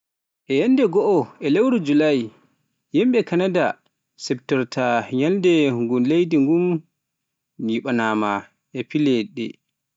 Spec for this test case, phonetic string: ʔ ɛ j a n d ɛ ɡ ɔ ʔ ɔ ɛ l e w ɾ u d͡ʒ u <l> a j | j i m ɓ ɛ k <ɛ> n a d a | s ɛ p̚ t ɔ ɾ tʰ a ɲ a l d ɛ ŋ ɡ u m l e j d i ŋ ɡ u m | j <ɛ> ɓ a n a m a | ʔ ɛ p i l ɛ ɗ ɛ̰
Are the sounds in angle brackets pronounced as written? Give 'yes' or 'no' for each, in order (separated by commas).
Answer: yes, no, no